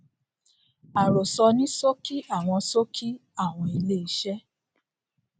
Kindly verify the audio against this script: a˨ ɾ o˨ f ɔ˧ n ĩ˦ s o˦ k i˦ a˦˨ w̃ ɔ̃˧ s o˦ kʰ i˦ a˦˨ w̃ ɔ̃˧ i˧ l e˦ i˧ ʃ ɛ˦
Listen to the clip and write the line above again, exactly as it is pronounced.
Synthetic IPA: a˨ ɾ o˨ s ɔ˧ n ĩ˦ s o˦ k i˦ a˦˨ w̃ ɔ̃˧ s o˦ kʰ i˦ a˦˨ w̃ ɔ̃˧ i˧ l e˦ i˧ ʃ ɛ˦